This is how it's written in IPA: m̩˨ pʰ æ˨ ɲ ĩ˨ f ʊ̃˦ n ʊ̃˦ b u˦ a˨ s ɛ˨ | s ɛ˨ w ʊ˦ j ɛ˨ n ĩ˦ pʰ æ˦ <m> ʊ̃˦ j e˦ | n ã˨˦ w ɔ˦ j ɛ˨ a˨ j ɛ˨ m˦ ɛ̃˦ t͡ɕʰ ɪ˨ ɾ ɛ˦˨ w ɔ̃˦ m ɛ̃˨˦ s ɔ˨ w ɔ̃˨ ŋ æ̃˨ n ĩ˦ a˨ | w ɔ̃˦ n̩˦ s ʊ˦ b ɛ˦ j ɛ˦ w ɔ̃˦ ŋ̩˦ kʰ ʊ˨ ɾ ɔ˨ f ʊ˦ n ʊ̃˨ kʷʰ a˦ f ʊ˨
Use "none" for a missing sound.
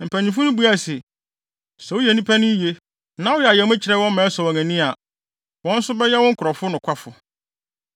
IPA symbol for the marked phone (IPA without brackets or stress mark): n